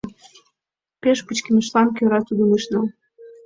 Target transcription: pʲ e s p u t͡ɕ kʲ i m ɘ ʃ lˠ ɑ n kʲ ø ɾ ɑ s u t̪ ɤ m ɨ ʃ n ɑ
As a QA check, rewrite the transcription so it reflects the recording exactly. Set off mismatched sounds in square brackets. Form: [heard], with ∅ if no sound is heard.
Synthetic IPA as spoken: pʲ e [ʃ] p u t͡ɕ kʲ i m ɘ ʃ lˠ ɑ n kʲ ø ɾ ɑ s u [d̪] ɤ m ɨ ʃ n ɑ